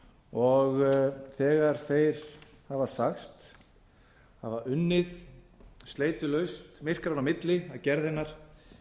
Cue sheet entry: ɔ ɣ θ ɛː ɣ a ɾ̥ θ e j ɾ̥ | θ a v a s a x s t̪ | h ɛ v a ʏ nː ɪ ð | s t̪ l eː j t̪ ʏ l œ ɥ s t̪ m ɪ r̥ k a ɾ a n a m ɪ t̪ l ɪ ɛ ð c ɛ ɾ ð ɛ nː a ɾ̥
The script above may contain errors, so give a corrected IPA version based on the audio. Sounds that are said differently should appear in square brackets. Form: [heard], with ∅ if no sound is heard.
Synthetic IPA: ɔ ɣ θ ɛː ɣ a ɾ̥ θ e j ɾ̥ | [h] a v a s a x s t̪ | h [a] v a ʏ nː ɪ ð | s t̪ l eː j t̪ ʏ l œ ɥ s t̪ m ɪ r̥ k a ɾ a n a m ɪ t̪ l ɪ [a] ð c ɛ ɾ ð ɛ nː a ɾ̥